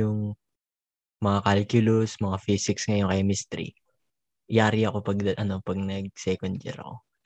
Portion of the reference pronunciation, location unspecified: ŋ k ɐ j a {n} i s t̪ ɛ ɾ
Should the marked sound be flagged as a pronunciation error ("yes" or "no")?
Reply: yes